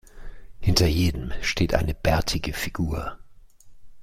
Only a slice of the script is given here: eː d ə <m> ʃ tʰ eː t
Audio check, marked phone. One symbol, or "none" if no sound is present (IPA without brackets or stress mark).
m